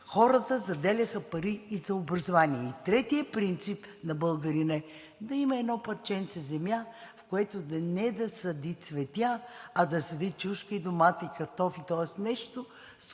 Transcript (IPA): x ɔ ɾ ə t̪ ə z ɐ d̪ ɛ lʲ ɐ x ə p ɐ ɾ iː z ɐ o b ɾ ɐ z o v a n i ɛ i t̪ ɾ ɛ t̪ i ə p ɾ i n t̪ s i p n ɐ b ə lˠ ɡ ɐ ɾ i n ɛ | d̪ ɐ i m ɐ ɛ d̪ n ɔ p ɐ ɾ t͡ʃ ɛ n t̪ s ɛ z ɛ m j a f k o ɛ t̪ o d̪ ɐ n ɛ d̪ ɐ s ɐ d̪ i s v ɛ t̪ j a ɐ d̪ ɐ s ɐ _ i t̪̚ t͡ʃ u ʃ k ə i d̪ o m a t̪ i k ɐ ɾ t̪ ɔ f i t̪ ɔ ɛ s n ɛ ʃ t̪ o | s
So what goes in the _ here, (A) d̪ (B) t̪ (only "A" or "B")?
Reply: A